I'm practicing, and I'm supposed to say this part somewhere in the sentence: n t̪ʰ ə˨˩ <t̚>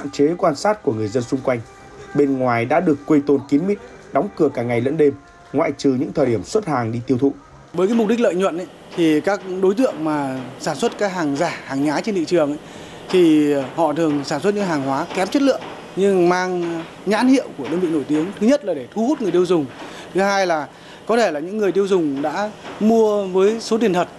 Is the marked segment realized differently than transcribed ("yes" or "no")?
no